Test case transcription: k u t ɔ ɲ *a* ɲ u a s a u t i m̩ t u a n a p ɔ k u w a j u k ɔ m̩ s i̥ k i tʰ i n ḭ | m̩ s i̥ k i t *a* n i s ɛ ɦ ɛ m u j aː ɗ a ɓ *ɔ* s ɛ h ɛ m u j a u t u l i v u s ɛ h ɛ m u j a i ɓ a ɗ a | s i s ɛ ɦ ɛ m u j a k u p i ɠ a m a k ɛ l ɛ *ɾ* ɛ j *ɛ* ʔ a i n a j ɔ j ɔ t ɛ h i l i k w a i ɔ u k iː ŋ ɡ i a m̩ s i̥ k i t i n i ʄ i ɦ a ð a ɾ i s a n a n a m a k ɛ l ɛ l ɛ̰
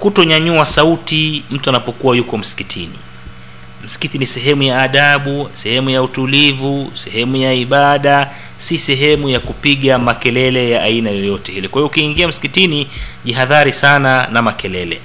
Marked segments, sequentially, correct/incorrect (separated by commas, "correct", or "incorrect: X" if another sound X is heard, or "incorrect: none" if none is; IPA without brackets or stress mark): correct, incorrect: i, incorrect: u, incorrect: l, incorrect: a